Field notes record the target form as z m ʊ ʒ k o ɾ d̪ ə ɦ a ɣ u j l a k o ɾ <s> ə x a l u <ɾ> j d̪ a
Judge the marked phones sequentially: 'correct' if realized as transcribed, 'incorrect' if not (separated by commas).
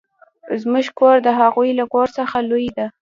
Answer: correct, incorrect